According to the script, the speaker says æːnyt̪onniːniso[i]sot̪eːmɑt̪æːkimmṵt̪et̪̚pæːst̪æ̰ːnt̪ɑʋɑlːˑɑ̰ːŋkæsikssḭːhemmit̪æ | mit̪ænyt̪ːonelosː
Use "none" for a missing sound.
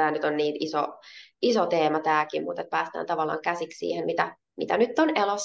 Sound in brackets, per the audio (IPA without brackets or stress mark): i